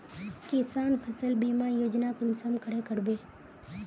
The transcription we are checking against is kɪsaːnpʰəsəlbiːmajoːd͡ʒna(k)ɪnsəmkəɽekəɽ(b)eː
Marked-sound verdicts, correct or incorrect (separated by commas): correct, correct